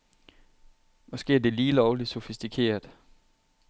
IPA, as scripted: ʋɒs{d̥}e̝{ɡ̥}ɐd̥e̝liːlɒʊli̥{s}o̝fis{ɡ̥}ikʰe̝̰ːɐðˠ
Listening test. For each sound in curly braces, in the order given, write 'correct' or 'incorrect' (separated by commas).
incorrect, incorrect, correct, incorrect